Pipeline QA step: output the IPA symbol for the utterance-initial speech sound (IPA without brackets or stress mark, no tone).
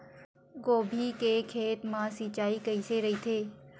ɡ